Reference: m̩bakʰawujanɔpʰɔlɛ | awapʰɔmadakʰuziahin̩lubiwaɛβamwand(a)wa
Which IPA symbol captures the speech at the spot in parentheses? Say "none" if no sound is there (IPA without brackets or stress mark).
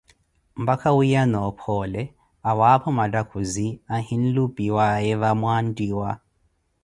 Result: i